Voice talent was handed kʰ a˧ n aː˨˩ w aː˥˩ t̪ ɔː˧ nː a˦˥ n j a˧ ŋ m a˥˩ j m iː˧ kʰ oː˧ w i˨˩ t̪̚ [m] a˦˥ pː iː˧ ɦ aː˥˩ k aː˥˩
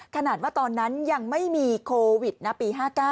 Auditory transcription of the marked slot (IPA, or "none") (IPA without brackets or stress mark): n